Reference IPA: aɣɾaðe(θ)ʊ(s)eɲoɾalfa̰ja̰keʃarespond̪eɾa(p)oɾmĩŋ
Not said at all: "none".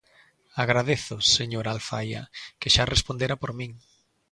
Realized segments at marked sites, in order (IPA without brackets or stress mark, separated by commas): θ, s, p